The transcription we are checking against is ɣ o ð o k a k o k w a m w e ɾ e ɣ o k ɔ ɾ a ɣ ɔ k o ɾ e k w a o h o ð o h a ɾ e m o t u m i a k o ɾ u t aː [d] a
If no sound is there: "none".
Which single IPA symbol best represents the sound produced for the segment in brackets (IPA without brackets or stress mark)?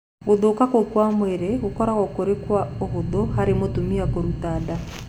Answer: d